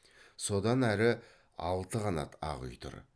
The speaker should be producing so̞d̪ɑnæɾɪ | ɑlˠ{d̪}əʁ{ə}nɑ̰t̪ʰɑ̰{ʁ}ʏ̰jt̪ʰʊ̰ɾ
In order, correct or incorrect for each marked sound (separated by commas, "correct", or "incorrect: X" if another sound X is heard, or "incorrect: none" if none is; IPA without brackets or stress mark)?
incorrect: t̪, incorrect: ɑ, correct